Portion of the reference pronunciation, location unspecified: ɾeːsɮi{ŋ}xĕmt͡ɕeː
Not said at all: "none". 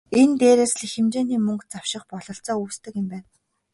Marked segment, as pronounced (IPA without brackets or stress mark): none